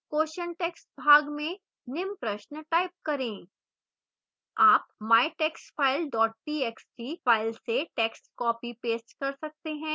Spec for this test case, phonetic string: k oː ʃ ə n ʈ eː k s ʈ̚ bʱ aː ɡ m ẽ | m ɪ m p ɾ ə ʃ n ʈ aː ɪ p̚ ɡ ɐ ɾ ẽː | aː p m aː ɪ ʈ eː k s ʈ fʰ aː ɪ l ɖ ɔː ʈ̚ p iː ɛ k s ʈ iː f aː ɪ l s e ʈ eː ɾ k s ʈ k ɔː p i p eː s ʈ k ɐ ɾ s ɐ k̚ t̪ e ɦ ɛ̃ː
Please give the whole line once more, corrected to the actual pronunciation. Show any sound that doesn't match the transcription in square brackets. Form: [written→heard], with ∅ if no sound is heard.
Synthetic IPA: k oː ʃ ə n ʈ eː k s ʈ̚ bʱ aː ɡ m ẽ | [m→n] ɪ m p ɾ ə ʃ n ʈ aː ɪ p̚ [ɡ→k] ɐ ɾ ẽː | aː p m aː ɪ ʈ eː k s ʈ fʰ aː ɪ l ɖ ɔː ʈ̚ p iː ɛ k s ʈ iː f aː ɪ l s e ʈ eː [ɾ→∅] k s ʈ k ɔː p i p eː s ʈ k ɐ ɾ s ɐ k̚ t̪ e ɦ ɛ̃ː